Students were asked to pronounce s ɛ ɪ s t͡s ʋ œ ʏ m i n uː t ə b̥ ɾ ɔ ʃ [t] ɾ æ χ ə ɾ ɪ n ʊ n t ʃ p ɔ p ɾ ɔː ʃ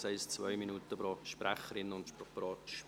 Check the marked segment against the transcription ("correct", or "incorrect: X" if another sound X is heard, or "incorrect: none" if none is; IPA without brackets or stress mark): incorrect: p